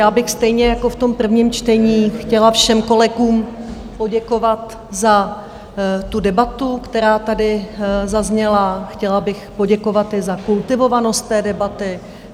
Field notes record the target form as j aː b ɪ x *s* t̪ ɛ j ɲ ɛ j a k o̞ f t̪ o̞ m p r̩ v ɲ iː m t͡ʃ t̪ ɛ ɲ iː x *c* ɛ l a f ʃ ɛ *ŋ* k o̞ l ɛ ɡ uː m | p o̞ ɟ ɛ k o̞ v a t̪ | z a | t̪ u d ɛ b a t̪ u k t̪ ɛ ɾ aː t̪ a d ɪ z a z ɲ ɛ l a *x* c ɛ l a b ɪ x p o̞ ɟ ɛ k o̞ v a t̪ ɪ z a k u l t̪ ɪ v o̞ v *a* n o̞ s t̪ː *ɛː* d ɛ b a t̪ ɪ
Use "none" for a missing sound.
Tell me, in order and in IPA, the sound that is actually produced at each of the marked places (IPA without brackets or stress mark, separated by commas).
s, c, m, x, a, ɛː